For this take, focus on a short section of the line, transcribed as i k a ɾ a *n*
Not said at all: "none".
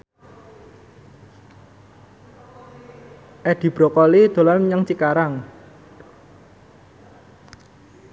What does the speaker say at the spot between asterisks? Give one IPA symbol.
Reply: ŋ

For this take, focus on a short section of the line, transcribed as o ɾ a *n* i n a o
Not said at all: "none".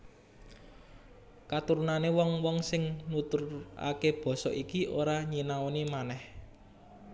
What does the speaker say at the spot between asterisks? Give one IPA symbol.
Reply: ɲ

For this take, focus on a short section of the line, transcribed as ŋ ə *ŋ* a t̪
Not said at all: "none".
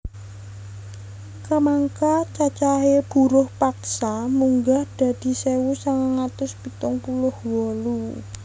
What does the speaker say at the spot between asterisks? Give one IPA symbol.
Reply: ŋ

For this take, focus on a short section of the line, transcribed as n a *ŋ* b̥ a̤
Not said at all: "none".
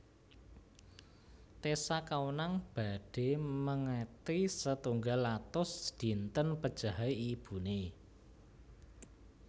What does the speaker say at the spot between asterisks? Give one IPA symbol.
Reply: ŋ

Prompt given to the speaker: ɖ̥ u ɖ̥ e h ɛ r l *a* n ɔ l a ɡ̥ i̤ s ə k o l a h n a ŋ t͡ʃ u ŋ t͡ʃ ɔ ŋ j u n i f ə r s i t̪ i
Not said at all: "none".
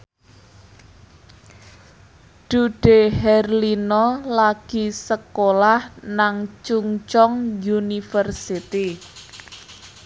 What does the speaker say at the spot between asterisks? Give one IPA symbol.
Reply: i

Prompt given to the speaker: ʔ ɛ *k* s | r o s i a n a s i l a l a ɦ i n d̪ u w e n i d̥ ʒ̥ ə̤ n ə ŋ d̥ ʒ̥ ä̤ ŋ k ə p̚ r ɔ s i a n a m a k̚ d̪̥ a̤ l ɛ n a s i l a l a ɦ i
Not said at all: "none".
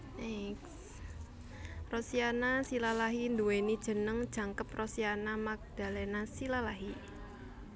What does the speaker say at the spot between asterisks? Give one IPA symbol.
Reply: k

